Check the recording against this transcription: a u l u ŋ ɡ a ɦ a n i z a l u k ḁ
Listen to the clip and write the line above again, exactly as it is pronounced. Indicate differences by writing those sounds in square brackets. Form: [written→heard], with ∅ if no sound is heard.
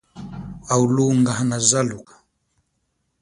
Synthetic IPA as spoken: a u l u ŋ ɡ a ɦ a n [i→a] z a l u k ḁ